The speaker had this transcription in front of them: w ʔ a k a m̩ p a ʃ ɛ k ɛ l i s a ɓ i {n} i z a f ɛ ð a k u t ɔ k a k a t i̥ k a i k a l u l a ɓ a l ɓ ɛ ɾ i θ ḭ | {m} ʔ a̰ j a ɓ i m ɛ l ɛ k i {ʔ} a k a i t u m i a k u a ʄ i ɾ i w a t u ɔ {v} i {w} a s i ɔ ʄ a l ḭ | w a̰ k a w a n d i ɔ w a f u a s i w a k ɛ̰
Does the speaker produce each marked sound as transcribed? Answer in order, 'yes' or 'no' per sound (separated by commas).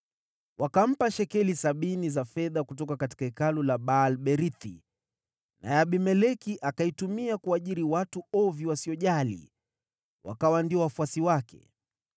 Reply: yes, no, yes, yes, yes